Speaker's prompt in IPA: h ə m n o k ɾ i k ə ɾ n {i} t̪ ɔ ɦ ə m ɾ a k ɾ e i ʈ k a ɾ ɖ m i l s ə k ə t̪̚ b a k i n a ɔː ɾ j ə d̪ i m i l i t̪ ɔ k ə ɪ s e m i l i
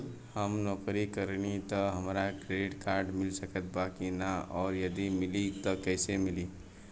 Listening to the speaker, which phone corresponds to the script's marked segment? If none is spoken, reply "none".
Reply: i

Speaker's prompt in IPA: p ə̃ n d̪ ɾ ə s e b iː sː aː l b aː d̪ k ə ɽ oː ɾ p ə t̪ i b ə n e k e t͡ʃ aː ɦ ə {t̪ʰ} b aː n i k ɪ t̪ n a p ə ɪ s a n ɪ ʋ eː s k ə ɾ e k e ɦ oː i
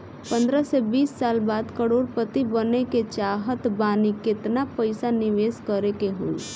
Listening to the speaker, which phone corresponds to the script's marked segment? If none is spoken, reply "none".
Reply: t̪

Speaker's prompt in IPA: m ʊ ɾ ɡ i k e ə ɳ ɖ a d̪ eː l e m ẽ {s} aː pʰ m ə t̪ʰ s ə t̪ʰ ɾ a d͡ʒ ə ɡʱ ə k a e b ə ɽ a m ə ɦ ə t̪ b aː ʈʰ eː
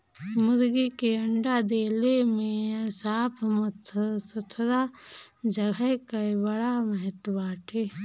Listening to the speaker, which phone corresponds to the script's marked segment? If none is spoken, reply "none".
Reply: s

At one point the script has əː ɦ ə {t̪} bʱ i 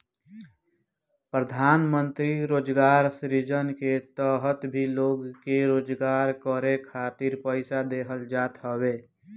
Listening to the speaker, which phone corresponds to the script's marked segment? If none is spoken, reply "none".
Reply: t̪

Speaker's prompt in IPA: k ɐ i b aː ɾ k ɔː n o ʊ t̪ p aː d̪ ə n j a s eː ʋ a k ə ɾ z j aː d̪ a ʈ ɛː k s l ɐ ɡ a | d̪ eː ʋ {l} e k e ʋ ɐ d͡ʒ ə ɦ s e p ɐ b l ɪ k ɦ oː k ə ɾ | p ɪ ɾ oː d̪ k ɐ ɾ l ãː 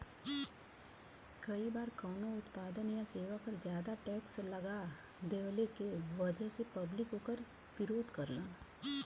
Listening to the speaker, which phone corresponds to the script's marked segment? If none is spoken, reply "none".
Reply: l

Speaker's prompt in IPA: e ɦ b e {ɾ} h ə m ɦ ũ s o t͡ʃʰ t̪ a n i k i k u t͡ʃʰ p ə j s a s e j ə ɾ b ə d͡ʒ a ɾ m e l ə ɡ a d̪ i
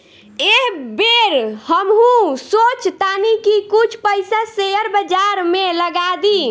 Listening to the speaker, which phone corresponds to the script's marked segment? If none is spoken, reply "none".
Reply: ɾ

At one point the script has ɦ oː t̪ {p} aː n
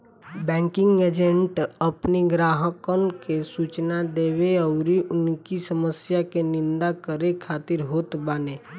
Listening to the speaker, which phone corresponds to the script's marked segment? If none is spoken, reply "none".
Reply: b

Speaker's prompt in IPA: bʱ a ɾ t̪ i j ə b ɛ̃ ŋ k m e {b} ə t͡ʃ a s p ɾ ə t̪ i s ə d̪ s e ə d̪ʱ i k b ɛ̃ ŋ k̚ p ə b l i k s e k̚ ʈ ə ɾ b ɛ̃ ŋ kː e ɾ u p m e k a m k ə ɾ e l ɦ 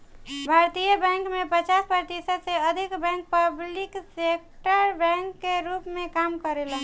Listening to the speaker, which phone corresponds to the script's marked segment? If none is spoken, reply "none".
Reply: p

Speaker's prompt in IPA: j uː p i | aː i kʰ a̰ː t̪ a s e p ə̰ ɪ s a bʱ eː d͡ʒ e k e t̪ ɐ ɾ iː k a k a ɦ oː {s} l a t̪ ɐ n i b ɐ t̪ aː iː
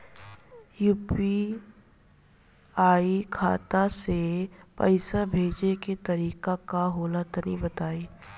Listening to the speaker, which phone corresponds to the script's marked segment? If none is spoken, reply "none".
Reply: none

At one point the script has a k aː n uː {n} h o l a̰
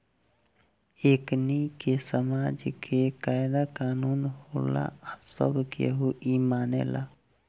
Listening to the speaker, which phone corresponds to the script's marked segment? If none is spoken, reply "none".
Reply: n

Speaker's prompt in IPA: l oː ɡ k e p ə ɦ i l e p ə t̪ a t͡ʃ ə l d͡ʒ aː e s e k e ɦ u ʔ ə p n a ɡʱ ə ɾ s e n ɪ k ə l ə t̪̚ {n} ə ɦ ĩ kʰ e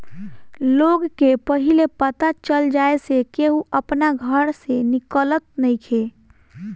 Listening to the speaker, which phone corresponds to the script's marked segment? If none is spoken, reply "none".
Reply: n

